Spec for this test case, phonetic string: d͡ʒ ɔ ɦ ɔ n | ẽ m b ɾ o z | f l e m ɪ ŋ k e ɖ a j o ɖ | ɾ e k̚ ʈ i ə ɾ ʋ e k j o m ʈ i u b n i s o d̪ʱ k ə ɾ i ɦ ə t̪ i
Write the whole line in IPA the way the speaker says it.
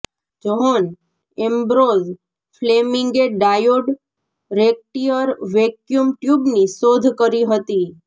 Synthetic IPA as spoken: d͡ʒ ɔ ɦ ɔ n | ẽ m b ɾ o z | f l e m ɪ ŋ ɡ e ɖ a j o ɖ | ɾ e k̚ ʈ i ə ɾ ʋ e k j u m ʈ j u b n i s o d̪ʱ k ə ɾ i ɦ ə t̪ i